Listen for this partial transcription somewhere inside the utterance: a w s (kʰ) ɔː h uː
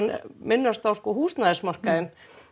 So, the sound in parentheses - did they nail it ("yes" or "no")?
no